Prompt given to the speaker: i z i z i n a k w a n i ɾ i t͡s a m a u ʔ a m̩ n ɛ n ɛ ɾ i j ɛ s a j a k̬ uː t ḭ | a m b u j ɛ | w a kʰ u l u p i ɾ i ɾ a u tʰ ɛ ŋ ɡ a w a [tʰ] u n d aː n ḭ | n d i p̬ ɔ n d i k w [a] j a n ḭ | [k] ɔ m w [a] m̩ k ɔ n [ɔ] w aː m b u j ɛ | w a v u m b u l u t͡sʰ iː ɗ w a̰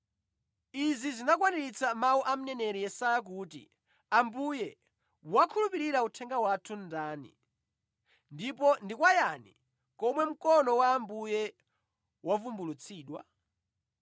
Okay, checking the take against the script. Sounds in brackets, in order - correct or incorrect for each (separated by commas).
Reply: correct, correct, correct, incorrect, correct